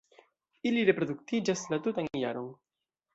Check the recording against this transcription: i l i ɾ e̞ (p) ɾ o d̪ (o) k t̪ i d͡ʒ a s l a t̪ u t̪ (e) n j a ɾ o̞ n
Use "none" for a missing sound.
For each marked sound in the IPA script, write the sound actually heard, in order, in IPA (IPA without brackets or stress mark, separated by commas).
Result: p, u, a